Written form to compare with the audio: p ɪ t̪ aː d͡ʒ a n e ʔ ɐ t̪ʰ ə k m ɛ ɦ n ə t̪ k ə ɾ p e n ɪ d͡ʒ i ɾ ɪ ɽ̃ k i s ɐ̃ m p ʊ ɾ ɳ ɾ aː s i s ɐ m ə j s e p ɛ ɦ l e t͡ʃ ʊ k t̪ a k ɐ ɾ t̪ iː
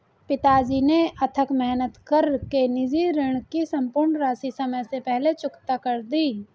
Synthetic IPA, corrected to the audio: p ɪ t̪ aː d͡ʒ i n e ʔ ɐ t̪ʰ ə k m ɛ ɦ n ə t̪ k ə ɾ k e n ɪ d͡ʒ i ɾ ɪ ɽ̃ k i s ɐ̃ m p ʊ ɾ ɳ ɾ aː s i s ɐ m ə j s e p ɛ ɦ l e t͡ʃ ʊ k t̪ a k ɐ ɾ d̪ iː